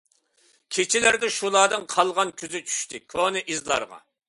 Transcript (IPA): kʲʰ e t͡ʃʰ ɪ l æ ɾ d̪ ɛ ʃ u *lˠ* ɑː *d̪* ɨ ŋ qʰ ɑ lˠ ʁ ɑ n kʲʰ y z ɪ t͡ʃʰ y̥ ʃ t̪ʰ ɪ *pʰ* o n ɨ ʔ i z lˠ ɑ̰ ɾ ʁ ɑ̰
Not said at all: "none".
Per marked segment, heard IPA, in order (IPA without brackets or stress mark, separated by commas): lˠ, d̪, kʰ